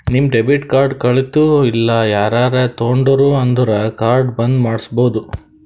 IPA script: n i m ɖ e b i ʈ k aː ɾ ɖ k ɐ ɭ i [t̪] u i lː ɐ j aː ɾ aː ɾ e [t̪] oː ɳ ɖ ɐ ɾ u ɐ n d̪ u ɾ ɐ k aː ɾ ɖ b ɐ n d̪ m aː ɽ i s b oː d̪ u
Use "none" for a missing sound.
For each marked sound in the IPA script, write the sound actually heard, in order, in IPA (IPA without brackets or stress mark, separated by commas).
t̪, t̪